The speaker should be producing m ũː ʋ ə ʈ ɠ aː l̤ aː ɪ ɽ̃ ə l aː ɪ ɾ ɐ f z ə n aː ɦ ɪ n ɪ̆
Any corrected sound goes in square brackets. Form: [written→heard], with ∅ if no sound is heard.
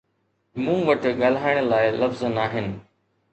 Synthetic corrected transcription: m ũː ʋ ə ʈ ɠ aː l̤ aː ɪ ɽ̃ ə l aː ɪ [ɾ→l] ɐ f z ə n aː ɦ ɪ n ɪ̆